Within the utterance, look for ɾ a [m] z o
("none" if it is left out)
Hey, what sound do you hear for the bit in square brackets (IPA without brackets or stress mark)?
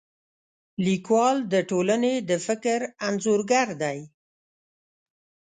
n